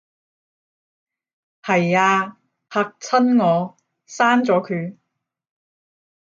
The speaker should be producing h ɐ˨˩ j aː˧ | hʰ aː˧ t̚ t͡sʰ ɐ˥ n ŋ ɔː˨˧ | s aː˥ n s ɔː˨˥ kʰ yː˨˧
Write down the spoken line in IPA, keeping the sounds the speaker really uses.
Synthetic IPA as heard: h ɐ˨˩ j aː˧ | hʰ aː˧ k̚ t͡sʰ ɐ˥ n ŋ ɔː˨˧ | s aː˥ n t͡s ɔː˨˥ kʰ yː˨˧